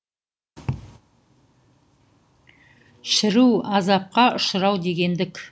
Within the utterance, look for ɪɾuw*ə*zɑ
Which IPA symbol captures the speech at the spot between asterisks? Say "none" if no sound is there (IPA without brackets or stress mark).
ɑ